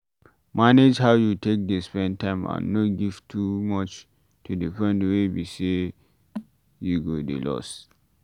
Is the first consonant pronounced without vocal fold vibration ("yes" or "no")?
no